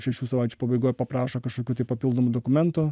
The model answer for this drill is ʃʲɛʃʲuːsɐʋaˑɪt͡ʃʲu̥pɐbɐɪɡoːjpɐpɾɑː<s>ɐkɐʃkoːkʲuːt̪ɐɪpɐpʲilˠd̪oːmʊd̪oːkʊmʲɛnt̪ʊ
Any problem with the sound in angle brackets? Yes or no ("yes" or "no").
yes